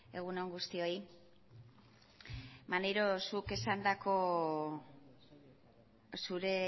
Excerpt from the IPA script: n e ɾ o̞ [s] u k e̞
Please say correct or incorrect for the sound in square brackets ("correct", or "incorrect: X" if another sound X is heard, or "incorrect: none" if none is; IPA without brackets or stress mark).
correct